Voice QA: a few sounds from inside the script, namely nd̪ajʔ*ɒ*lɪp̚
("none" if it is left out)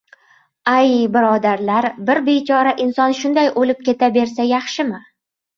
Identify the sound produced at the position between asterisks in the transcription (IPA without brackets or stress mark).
o